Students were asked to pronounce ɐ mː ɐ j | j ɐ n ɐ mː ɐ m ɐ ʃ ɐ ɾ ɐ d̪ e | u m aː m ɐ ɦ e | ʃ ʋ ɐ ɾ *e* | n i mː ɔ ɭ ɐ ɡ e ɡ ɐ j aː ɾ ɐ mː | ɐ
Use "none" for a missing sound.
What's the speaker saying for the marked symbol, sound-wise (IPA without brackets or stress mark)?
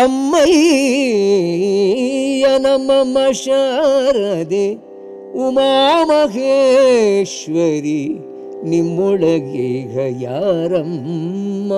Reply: i